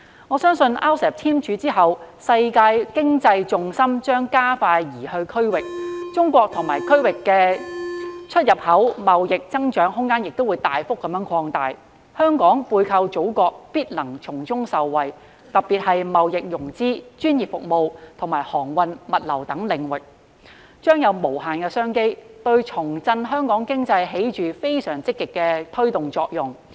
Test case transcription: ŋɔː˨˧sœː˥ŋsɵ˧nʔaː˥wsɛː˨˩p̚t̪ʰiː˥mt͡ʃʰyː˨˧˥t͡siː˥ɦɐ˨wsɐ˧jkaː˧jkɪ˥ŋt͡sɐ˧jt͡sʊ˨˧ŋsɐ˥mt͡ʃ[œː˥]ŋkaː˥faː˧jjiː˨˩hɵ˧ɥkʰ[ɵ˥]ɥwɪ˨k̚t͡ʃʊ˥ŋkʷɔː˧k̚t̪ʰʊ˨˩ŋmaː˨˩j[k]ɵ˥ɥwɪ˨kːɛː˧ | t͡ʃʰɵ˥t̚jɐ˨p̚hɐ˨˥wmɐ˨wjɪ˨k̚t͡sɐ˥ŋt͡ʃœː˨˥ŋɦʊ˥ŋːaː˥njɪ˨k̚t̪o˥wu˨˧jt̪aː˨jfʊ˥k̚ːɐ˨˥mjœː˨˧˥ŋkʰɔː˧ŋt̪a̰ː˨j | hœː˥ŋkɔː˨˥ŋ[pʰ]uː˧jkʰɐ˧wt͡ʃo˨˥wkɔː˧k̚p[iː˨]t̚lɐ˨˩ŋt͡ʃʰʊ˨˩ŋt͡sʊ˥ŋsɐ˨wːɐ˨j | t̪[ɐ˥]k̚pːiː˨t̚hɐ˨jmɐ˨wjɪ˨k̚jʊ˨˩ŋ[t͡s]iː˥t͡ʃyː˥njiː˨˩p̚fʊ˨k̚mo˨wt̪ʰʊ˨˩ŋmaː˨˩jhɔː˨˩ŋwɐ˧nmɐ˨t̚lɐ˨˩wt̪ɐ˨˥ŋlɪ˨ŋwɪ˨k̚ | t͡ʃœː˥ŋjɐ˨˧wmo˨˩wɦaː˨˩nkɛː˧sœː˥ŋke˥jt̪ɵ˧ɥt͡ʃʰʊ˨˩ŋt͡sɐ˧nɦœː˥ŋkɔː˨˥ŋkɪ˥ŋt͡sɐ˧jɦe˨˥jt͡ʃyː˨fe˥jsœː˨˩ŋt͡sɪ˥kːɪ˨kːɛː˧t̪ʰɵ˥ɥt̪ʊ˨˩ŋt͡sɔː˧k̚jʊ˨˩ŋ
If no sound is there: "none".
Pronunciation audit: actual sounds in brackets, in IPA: œː˥, ɵ˥, kʰ, p, iː˥, ɐ˨, t͡s

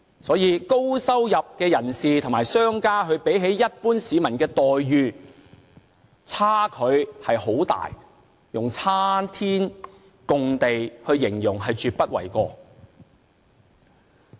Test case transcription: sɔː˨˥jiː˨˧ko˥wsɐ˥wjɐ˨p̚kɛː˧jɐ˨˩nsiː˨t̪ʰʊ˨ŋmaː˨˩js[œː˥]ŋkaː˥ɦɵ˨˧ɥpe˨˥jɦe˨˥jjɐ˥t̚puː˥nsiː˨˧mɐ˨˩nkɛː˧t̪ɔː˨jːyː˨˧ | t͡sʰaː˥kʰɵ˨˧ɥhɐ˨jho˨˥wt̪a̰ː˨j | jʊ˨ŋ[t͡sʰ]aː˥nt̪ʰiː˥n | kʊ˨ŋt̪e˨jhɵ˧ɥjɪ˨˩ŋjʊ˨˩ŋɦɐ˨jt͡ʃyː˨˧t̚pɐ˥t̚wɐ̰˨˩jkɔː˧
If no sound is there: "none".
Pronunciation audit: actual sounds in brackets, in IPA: œː˥, t͡sʰ

